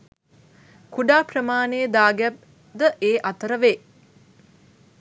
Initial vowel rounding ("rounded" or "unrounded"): rounded